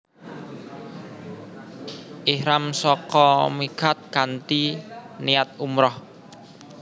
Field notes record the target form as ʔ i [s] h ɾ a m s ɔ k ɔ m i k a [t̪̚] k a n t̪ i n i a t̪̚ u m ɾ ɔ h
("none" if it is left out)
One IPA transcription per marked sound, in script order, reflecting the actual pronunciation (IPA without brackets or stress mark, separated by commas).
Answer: none, t̪̚